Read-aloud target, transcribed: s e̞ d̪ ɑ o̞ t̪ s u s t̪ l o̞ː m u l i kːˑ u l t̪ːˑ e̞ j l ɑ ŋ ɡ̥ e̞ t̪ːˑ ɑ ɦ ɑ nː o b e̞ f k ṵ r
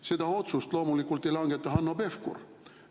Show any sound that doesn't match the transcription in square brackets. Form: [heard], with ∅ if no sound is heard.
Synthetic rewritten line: s e̞ d̪ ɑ o̞ t̪ s u s t̪ l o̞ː m u l i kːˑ u l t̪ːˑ e̞ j l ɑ ŋ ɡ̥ e̞ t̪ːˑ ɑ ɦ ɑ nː o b e̞ f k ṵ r